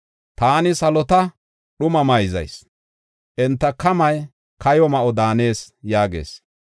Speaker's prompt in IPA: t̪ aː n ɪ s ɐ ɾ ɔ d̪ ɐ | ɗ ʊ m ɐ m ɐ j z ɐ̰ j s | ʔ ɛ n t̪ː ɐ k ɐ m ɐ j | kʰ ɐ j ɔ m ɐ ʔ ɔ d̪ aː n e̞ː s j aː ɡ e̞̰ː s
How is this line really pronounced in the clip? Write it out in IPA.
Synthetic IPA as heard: t̪ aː n ɪ s ɐ l ɔ t̪ ɐ | ɗ ʊ m ɐ m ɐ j z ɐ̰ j s | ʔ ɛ n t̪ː ɐ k ɐ m ɐ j | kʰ ɐ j ɔ m ɐ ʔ ɔ d̪ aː n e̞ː s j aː ɡ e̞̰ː s